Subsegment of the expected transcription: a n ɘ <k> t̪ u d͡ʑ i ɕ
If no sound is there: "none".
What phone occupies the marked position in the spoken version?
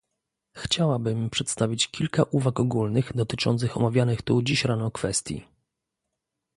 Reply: x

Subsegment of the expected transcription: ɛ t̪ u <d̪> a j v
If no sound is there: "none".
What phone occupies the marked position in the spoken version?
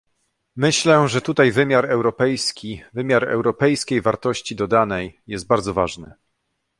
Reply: t̪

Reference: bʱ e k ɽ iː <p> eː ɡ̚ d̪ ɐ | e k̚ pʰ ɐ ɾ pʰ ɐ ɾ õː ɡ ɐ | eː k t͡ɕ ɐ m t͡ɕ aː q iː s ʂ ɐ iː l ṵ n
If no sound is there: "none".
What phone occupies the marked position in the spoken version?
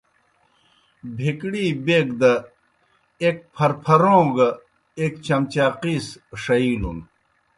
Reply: b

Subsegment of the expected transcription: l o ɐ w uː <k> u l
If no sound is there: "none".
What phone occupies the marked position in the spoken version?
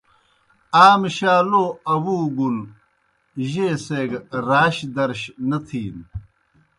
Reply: ɡ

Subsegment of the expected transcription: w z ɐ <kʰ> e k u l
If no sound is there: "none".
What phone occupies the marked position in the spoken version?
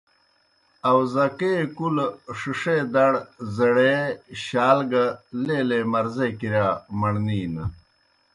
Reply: k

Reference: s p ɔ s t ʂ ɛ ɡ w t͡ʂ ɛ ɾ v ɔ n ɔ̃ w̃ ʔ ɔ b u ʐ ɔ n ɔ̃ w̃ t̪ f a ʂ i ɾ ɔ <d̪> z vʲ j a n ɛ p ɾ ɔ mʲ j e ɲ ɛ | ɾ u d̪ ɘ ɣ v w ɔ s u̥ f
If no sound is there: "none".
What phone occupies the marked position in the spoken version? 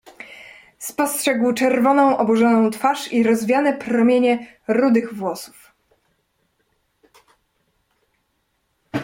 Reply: none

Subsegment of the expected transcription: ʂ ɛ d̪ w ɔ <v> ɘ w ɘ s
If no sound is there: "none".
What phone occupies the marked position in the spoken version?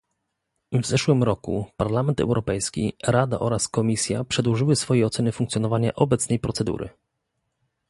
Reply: ʐ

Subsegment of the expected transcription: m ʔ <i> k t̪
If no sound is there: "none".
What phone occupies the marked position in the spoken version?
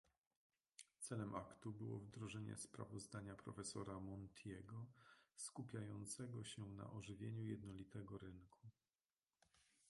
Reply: a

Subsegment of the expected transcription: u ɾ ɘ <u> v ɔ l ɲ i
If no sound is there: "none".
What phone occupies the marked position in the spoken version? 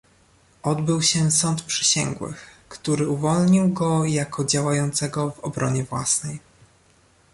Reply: u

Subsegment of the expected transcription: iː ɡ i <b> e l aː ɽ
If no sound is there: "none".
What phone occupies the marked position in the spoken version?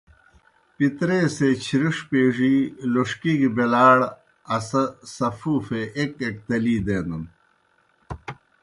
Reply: b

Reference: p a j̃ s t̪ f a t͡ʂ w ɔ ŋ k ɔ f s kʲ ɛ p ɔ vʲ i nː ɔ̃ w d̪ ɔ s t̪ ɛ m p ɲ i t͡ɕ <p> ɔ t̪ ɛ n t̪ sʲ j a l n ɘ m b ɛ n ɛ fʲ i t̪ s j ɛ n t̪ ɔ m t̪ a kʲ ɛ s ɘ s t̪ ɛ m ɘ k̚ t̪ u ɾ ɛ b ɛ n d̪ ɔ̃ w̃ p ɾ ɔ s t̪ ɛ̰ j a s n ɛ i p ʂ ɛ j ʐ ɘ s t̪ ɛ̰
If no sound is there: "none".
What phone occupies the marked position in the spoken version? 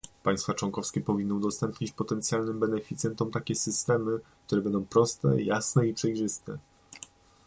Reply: p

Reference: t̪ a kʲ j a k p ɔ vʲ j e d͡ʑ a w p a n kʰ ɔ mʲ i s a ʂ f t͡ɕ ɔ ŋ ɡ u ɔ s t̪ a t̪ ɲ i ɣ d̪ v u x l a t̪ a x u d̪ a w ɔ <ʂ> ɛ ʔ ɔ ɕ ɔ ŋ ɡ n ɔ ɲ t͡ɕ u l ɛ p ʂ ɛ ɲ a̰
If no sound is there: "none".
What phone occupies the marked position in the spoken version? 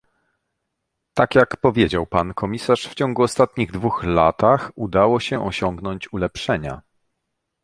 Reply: ɕ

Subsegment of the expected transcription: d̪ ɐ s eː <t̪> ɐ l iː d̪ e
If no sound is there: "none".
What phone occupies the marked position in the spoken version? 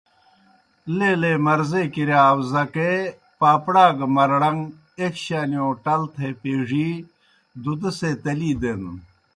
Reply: t̪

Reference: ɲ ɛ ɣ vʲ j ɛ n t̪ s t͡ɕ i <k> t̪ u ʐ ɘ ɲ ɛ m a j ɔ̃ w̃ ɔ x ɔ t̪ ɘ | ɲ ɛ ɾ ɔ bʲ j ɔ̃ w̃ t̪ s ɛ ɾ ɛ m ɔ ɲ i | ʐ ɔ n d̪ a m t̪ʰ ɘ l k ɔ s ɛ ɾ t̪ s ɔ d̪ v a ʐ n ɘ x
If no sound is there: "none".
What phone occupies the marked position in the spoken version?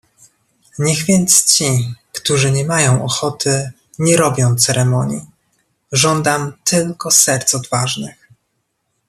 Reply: k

